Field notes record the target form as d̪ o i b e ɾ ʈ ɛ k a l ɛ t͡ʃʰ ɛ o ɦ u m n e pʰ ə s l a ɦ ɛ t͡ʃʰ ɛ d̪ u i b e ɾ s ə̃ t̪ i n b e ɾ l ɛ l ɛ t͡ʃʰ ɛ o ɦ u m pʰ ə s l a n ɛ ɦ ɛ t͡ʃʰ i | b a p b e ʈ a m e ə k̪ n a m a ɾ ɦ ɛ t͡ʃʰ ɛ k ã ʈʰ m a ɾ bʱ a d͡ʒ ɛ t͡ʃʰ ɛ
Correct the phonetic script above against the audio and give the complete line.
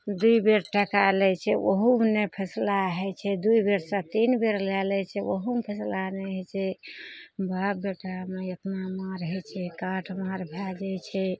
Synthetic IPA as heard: d̪ u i b e ɾ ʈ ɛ k a l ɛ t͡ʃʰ ɛ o ɦ u m n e pʰ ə s l a ɦ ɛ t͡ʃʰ ɛ d̪ u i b e ɾ s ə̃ t̪ i n b e ɾ l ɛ l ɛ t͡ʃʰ ɛ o ɦ u m pʰ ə s l a n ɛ ɦ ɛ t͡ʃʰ ɛ | b a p b e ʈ a m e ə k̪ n a m a ɾ ɦ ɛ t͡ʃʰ ɛ k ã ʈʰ m a ɾ bʱ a d͡ʒ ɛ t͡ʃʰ ɛ